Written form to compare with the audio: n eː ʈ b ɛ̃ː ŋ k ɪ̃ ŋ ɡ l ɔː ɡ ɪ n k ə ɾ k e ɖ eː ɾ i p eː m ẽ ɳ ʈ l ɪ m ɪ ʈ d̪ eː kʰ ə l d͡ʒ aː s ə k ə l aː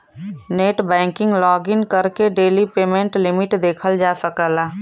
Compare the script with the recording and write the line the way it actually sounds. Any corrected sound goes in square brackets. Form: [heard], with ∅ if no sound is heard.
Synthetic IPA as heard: n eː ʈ b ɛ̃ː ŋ k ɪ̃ ŋ ɡ l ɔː ɡ ɪ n k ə ɾ k e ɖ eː [l] i p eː m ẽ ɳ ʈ l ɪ m ɪ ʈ d̪ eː kʰ ə l d͡ʒ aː s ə k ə l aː